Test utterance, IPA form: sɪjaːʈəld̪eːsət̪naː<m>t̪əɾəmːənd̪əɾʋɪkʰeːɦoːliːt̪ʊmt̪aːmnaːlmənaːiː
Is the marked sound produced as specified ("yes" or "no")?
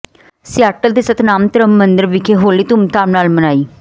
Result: yes